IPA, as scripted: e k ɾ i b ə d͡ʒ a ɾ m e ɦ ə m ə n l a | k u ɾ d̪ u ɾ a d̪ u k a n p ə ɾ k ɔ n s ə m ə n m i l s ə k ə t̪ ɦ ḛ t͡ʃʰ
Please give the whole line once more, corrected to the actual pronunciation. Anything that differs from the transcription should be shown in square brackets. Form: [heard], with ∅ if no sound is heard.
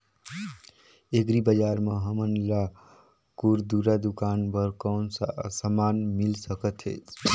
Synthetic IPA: e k ɾ i b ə d͡ʒ a ɾ m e ɦ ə m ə n l a | k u ɾ d̪ u ɾ a d̪ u k a n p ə ɾ k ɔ n s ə m [a] n m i l s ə k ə t̪ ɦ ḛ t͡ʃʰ